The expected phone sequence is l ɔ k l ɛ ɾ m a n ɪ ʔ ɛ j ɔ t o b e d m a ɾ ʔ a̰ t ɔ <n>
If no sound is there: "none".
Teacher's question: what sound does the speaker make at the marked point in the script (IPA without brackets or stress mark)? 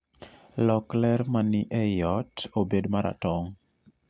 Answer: ŋ